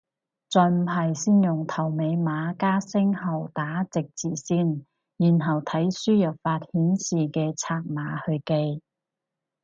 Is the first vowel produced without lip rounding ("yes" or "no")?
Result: no